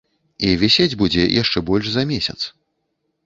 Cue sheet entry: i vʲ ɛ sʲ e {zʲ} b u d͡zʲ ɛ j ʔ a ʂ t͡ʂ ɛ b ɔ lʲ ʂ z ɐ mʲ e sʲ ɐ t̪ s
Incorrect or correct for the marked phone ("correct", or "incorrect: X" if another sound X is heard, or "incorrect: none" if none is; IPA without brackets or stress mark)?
incorrect: d͡zʲ